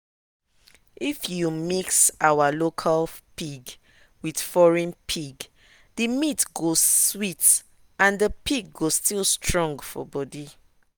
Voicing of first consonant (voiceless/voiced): voiceless